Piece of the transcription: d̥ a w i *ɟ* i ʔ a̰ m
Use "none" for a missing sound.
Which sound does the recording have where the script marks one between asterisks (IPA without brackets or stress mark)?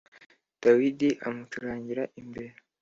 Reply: d